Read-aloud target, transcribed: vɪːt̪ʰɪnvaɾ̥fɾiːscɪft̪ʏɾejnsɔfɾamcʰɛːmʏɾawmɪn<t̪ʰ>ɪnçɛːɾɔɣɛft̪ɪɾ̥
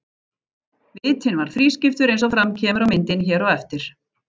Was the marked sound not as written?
yes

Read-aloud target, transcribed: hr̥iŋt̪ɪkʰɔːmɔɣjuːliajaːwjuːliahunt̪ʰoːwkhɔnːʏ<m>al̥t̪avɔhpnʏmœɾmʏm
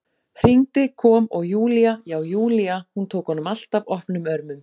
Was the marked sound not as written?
no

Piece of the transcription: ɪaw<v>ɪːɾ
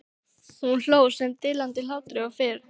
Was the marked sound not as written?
yes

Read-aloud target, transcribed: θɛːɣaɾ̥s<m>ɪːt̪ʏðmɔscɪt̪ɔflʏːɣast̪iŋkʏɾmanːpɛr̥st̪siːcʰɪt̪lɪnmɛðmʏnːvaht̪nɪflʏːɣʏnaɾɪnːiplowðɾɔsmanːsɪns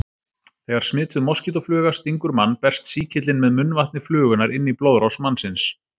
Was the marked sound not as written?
no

